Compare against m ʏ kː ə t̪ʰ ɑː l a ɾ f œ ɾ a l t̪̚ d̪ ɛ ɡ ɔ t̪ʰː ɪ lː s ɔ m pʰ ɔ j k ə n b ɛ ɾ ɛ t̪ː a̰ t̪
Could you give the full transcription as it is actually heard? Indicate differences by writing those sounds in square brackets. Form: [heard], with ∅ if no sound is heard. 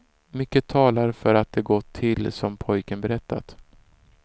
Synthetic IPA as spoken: m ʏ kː ə t̪ʰ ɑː l a ɾ f œ ɾ a [∅] t̪̚ d̪ ɛ ɡ ɔ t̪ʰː ɪ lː s ɔ m pʰ ɔ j k ə n b ɛ ɾ ɛ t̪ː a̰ t̪

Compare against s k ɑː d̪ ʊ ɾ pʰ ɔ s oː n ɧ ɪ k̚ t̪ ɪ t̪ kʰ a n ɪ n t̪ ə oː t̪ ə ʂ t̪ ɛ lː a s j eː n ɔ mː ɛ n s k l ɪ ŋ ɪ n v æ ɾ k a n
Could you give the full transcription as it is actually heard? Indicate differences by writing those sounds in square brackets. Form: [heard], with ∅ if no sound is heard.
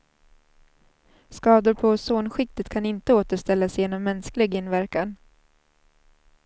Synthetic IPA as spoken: s k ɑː d̪ ʊ ɾ pʰ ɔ s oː n ɧ ɪ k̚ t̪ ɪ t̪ kʰ a n ɪ n t̪ ə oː t̪ ə ʂ t̪ ɛ lː a s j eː n ɔ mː ɛ n s k l ɪ [ɡ] ɪ n v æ ɾ k a n

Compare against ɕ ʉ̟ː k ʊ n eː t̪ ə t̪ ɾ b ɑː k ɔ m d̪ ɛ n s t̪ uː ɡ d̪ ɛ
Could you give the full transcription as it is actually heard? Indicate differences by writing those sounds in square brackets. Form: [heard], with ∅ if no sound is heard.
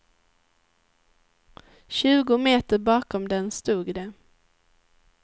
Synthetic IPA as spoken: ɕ ʉ̟ː [ɡ] ʊ [m] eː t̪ ə [∅] ɾ b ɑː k ɔ m d̪ ɛ n s t̪ uː ɡ d̪ ɛ

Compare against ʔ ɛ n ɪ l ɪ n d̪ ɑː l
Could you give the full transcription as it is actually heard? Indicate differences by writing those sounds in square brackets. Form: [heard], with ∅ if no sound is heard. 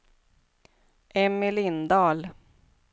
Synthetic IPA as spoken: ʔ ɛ [m] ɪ l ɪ n d̪ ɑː l

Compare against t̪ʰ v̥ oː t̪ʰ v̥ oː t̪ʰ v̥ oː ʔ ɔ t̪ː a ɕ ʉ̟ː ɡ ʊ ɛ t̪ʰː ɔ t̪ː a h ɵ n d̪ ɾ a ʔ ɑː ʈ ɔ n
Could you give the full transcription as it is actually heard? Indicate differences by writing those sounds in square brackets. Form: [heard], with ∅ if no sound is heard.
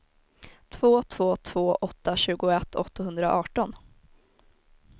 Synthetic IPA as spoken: t̪ʰ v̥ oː t̪ʰ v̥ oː t̪ʰ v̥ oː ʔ ɔ t̪ː a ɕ ʉ̟ː ɡ ʊ ɛ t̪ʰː ɔ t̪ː a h ɵ n d̪ ɾ a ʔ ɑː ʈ ɔ n

